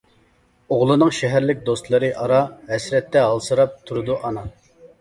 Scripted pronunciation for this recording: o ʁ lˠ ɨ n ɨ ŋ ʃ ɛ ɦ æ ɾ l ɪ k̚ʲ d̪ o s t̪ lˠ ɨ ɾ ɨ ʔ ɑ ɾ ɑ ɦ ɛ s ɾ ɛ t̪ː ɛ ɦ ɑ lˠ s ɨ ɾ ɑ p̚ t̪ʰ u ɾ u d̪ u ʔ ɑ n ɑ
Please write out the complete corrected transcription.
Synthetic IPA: o ʁ lˠ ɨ n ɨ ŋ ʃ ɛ ɦ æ ɾ l ɪ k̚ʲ d̪ o s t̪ lˠ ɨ ɾ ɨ ʔ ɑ ɾ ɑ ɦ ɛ s ɾ ɛ t̪ː ɛ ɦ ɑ lˠ s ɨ ɾ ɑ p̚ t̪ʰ u ɾ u d̪ u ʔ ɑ n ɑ